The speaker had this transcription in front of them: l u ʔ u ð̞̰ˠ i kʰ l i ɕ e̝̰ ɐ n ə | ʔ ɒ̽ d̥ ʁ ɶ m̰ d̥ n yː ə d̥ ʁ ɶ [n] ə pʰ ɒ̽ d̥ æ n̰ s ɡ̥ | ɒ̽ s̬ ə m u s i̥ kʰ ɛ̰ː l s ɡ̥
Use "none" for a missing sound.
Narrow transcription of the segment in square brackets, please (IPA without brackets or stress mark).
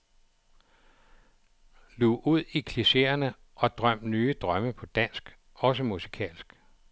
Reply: m